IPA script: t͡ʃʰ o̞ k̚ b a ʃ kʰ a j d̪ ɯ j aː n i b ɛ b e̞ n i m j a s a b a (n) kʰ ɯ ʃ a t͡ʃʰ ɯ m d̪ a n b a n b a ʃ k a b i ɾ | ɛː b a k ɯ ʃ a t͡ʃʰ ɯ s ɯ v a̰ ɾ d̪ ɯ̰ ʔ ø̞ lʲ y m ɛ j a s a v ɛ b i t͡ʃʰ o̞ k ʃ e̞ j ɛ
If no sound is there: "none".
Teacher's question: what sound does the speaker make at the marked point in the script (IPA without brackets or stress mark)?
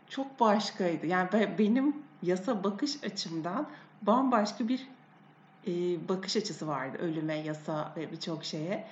none